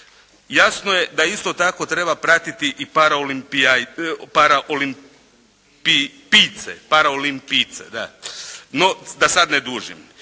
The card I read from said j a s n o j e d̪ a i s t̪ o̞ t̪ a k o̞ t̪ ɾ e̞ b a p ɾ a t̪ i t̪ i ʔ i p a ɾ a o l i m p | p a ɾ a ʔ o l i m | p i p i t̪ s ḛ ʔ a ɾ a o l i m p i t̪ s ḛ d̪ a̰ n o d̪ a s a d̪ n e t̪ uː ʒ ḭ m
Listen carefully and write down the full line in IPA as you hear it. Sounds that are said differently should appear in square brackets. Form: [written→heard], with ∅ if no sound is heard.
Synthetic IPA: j a s n o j e d̪ a i s t̪ o̞ t̪ a k o̞ t̪ ɾ e̞ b a p ɾ a t̪ i t̪ i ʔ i p a ɾ a o l i m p | p a ɾ a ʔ o l i m | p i p i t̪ s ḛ [ʔ→p] a ɾ a o l i m p i t̪ s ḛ d̪ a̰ n o d̪ a s a d̪ n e [t̪→d̪] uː ʒ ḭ m